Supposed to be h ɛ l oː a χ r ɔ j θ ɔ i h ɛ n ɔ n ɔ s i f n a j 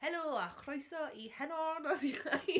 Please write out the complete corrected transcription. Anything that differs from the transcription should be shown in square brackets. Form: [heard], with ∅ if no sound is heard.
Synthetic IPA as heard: h ɛ l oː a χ r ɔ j [s] ɔ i h ɛ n ɔ n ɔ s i [χ] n a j